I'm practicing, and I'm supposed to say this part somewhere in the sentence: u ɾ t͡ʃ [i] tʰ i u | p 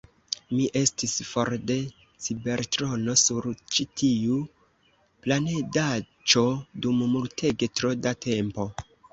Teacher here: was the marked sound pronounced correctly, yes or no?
yes